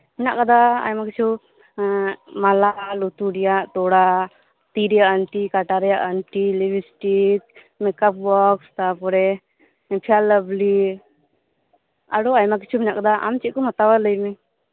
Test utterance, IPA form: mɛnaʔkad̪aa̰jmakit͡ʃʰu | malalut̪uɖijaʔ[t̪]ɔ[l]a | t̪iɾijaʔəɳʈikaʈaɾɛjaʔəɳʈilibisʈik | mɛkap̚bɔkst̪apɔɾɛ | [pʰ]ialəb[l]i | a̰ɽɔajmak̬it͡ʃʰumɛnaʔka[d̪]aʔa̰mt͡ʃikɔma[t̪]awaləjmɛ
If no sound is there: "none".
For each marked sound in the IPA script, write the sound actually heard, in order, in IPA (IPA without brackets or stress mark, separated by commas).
t̪, ɽ, pʰ, l, d̪, t̪